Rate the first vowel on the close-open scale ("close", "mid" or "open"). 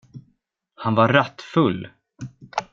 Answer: open